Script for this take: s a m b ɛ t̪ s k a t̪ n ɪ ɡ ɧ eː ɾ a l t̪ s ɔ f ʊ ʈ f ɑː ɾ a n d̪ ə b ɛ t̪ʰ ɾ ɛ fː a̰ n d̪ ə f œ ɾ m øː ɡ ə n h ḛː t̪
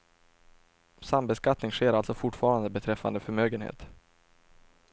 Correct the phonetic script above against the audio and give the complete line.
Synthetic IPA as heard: s a m b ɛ s k a t̪ n ɪ ŋ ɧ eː ɾ a l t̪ s ɔ f ʊ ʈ f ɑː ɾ a n d̪ ə b ɛ t̪ʰ ɾ ɛ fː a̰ n d̪ ə f œ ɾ m øː ɡ ə n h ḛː t̪